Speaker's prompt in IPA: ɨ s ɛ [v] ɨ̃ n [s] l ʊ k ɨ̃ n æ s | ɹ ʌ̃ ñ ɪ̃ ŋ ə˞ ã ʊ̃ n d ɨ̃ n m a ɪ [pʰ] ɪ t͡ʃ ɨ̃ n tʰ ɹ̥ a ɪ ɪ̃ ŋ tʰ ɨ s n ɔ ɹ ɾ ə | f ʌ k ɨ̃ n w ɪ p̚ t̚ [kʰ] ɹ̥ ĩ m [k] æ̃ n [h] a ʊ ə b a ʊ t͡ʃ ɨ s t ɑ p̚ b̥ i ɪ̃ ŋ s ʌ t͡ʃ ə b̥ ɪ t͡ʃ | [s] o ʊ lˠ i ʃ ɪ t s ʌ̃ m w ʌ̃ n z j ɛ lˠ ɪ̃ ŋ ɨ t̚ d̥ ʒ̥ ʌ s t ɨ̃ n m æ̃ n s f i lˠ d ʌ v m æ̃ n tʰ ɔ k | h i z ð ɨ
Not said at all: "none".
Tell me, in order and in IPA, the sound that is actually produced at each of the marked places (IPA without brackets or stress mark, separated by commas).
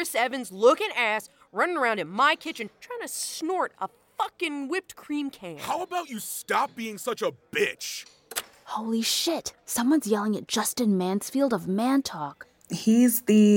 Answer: v, z, kʰ, kʰ, kʰ, h, h